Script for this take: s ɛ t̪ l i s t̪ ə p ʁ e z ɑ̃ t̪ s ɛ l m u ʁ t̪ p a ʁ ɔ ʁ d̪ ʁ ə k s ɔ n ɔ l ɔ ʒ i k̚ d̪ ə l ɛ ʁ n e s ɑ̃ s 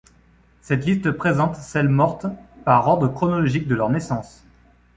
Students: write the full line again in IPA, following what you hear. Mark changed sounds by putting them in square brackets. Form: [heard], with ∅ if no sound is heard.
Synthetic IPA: s ɛ t̪ l i s t̪ ə p [χ] e z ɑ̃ t̪ s ɛ l m [ɔ] ʁ t̪ p a ʁ ɔ ʁ d̪ ʁ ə k [χ] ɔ n ɔ l ɔ ʒ i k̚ d̪ ə l [œ] ʁ n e s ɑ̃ s